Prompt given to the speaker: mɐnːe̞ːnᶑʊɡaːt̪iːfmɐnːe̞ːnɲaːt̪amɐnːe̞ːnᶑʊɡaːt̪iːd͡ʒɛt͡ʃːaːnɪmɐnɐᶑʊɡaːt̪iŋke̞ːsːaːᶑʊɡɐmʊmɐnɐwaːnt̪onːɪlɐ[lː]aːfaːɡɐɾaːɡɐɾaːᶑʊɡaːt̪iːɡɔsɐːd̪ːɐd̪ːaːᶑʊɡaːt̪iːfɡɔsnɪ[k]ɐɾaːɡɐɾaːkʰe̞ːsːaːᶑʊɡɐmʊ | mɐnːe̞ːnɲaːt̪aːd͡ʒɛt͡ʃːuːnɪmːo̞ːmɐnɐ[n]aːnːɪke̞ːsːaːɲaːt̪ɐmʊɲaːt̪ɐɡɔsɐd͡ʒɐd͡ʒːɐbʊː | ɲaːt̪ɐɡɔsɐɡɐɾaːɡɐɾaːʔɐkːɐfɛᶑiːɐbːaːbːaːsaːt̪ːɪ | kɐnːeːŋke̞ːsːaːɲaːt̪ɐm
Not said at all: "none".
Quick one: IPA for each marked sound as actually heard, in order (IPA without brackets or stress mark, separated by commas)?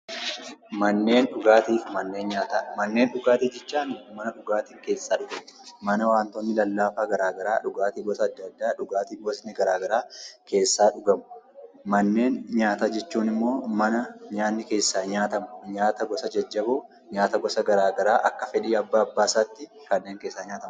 lː, ɡ, ɲ